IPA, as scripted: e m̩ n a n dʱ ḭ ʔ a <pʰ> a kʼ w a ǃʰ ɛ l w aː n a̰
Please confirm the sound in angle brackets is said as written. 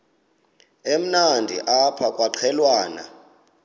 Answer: yes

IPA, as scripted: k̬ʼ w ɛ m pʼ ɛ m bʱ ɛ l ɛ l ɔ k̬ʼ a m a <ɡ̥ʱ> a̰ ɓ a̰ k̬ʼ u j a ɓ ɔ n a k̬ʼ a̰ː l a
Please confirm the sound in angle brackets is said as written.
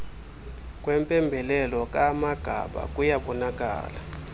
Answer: yes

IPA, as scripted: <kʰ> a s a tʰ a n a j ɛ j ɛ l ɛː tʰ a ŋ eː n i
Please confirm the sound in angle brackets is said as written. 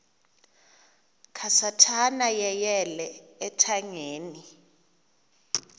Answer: yes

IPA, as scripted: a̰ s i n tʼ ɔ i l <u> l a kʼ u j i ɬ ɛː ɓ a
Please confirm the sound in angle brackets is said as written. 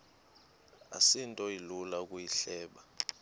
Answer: yes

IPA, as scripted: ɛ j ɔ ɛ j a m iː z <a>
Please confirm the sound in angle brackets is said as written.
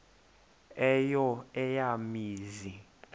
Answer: no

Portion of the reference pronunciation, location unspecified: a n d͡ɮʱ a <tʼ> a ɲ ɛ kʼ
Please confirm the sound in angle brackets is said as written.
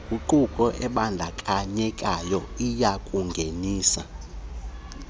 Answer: no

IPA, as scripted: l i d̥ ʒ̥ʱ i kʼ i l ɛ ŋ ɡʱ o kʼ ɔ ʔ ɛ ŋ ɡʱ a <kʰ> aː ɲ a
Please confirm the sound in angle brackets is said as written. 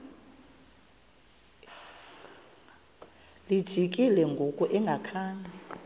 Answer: yes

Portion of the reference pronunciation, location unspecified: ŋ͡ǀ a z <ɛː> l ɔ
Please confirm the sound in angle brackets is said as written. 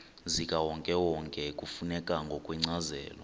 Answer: yes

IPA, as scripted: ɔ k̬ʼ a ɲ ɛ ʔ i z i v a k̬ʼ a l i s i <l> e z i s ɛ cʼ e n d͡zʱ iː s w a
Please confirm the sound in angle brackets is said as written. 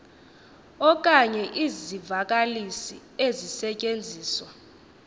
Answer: no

